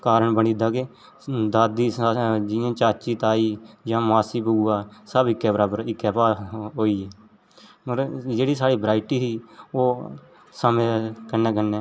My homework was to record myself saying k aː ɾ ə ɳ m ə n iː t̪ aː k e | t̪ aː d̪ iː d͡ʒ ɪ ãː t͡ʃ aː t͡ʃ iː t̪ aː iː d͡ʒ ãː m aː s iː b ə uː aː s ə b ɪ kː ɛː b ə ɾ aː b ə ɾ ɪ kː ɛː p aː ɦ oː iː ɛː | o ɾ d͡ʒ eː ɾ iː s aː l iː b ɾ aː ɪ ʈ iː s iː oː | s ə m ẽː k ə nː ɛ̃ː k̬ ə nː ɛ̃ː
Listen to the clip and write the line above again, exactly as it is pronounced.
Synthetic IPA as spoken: k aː ɾ ə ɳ b ə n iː d̪ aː k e | d̪ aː d̪ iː d͡ʒ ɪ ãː t͡ʃ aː t͡ʃ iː t̪ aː iː d͡ʒ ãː m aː s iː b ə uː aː s ə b ɪ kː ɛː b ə ɾ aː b ə ɾ ɪ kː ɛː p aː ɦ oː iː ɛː | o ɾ d͡ʒ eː ɽ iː s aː ɽ iː b ɾ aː ɪ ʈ iː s iː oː | s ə m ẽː k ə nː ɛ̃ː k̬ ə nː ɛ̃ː